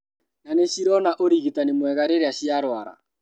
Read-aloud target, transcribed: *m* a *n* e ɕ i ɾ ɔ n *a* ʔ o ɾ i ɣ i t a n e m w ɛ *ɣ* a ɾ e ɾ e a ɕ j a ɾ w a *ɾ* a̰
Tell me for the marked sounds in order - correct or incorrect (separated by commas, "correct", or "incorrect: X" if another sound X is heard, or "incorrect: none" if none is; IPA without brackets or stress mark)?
incorrect: n, correct, correct, correct, correct